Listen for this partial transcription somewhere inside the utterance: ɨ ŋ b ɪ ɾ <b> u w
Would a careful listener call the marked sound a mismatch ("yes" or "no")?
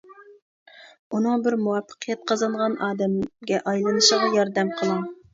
yes